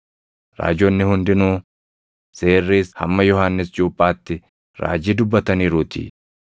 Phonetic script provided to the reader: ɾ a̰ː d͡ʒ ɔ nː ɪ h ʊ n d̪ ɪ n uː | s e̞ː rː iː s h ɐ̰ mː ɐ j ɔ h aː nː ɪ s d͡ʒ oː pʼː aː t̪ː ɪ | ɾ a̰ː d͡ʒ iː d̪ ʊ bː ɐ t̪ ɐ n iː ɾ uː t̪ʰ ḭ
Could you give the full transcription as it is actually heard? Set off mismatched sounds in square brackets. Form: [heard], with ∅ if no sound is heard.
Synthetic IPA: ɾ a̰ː d͡ʒ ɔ nː ɪ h ʊ n d̪ ɪ n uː | s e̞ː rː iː s h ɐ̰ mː ɐ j ɔ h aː nː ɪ s d͡ʒ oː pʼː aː t̪ː ɪ | ɾ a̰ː d͡ʒ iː d̪ ʊ bː ɐ t̪ ɐ n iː ɾ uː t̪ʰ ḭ

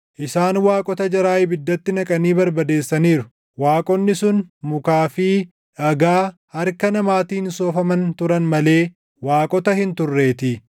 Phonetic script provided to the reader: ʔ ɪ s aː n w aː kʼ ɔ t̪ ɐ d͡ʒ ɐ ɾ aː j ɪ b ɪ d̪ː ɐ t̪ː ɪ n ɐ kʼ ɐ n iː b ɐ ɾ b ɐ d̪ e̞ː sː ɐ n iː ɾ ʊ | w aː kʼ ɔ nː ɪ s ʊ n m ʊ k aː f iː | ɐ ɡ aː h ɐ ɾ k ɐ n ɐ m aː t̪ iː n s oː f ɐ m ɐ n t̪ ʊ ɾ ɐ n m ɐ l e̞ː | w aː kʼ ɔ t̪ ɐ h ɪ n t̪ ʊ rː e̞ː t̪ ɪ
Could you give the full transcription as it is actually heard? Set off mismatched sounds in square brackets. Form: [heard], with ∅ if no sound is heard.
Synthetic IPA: ʔ ɪ s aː n w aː kʼ ɔ t̪ ɐ d͡ʒ ɐ ɾ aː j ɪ b ɪ d̪ː ɐ t̪ː ɪ n ɐ kʼ ɐ n iː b ɐ ɾ b ɐ d̪ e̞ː sː ɐ n iː ɾ ʊ | w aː kʼ ɔ nː ɪ s ʊ n m ʊ k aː f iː | ɐ ɡ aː h ɐ ɾ k ɐ n ɐ m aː t̪ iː n s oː f ɐ m ɐ n t̪ ʊ ɾ ɐ n m ɐ l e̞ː | w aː kʼ ɔ t̪ ɐ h ɪ n t̪ ʊ rː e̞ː t̪ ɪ

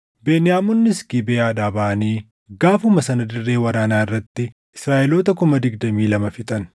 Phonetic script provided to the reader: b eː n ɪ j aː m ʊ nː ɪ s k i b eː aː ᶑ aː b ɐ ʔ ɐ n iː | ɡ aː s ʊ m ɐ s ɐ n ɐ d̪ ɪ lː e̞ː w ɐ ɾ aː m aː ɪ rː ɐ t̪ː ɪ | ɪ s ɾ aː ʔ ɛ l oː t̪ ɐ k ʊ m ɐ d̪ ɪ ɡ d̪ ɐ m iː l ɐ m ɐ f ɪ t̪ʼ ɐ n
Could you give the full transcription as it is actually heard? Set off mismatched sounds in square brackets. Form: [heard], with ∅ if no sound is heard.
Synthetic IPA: b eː n ɪ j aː m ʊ nː ɪ s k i b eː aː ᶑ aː b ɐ ʔ ɐ n iː | ɡ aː [f] ʊ m ɐ s ɐ n ɐ d̪ ɪ [rː] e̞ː w ɐ ɾ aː [n] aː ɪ rː ɐ t̪ː ɪ | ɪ s ɾ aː ʔ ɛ l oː t̪ ɐ k ʊ m ɐ d̪ ɪ ɡ d̪ ɐ m iː l ɐ m ɐ f ɪ t̪ʼ ɐ n

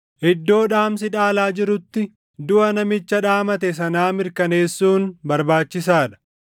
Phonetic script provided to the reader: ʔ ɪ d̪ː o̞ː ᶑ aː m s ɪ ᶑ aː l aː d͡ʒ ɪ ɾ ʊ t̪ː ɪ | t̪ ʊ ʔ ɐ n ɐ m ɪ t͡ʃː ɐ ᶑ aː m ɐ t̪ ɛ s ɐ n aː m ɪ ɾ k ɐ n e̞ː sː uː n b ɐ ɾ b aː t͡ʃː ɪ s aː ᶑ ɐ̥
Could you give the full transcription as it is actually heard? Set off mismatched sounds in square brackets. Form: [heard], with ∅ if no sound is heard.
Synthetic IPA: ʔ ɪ d̪ː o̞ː ᶑ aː m s ɪ ᶑ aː l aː d͡ʒ ɪ ɾ ʊ t̪ː ɪ | [d̪] ʊ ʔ ɐ n ɐ m ɪ t͡ʃː ɐ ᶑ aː m ɐ t̪ ɛ s ɐ n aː m ɪ ɾ k ɐ n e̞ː sː uː n b ɐ ɾ b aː t͡ʃː ɪ s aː ᶑ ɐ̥

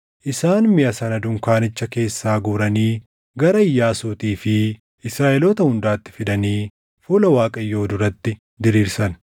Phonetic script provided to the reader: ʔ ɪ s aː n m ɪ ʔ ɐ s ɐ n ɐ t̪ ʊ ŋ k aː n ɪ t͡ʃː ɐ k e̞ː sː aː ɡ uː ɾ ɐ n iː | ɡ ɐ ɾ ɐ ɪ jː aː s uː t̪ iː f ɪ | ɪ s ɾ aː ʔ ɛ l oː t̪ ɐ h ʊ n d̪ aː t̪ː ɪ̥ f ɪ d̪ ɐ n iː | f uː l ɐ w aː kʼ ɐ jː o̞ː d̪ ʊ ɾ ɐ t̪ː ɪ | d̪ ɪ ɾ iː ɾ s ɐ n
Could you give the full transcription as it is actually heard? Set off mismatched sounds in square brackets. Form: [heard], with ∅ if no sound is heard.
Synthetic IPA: ʔ ɪ s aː n m ɪ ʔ ɐ s ɐ n ɐ [d̪] ʊ ŋ k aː n ɪ t͡ʃː ɐ k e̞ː sː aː ɡ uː ɾ ɐ n iː | ɡ ɐ ɾ ɐ ɪ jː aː s uː t̪ iː f ɪ | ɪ s ɾ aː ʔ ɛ l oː t̪ ɐ h ʊ n d̪ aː t̪ː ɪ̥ f ɪ d̪ ɐ n iː | f uː l ɐ w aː kʼ ɐ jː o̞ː d̪ ʊ ɾ ɐ t̪ː ɪ | d̪ ɪ ɾ iː ɾ s ɐ n

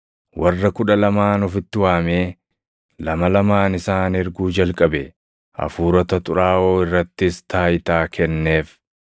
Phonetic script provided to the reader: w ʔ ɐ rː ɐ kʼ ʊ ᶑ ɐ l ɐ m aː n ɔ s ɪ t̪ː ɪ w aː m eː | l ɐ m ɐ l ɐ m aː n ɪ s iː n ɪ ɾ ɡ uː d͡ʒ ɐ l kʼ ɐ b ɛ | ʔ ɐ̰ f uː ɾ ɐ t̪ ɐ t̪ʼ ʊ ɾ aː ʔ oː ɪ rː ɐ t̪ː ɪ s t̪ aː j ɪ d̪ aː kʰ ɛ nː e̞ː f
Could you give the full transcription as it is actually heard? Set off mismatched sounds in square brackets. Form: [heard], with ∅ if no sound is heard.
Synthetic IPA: w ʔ ɐ rː ɐ [k] ʊ ᶑ ɐ l ɐ m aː n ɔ [f] ɪ t̪ː ɪ w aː m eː | l ɐ m ɐ l ɐ m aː n ɪ s [aː] n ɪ ɾ ɡ uː d͡ʒ ɐ l kʼ ɐ b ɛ | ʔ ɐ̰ f uː ɾ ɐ t̪ ɐ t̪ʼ ʊ ɾ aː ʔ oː ɪ rː ɐ t̪ː ɪ s t̪ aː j ɪ [t̪] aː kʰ ɛ nː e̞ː f

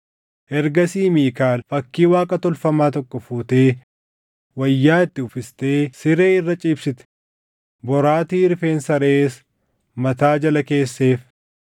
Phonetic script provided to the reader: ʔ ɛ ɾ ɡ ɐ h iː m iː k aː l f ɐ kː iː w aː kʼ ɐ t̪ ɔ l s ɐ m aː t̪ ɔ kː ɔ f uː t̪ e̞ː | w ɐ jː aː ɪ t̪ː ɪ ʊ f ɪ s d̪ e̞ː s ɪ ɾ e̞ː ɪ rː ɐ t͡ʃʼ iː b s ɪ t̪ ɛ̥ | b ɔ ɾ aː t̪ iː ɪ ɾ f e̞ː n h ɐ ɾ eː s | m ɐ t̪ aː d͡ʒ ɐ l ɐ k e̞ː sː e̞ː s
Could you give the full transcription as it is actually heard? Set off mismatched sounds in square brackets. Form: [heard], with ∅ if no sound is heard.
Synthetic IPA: ʔ ɛ ɾ ɡ ɐ [s] iː m iː k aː l f ɐ kː iː w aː kʼ ɐ t̪ ɔ l [f] ɐ m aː t̪ ɔ kː ɔ f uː t̪ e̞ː | w ɐ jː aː ɪ t̪ː ɪ ʊ f ɪ s [t̪] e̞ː s ɪ ɾ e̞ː ɪ rː ɐ t͡ʃʼ iː b s ɪ t̪ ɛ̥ | b ɔ ɾ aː t̪ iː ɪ ɾ f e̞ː n [s] ɐ ɾ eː s | m ɐ t̪ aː d͡ʒ ɐ l ɐ k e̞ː sː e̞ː [f]

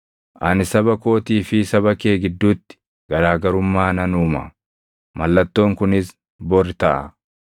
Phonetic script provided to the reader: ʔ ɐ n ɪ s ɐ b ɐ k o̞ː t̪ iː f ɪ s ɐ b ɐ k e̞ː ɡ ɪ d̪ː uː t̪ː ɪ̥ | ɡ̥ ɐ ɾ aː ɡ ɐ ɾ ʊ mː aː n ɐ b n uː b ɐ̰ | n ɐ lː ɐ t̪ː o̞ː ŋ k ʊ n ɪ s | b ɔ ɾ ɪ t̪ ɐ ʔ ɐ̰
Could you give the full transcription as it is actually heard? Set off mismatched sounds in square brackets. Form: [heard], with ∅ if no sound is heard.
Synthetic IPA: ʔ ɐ n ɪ s ɐ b ɐ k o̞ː t̪ iː f ɪ s ɐ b ɐ k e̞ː ɡ ɪ d̪ː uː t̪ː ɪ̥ | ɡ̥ ɐ ɾ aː ɡ ɐ ɾ ʊ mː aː n ɐ [∅] n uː [m] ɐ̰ | [m] ɐ lː ɐ t̪ː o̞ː ŋ k ʊ n ɪ s | b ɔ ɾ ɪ t̪ ɐ ʔ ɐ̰

